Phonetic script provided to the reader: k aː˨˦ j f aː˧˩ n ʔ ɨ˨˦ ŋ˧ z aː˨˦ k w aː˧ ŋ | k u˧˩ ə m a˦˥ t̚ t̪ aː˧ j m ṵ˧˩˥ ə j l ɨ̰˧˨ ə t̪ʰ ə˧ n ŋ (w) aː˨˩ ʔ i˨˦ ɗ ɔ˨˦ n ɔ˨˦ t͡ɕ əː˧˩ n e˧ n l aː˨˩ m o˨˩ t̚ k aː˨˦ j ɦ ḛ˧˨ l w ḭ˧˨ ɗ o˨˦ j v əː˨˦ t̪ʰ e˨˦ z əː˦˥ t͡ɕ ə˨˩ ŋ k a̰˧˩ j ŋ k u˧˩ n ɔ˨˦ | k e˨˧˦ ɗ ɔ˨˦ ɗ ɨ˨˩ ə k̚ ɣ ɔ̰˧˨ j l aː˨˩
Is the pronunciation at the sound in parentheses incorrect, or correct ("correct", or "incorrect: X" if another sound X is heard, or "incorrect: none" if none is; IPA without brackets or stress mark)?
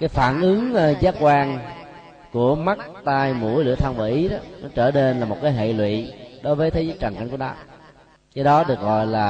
incorrect: v